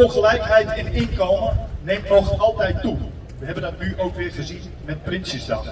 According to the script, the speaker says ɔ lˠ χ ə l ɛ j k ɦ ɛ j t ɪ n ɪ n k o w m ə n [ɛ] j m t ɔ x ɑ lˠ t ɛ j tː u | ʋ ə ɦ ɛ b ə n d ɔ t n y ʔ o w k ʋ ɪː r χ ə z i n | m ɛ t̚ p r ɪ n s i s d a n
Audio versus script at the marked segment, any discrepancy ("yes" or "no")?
yes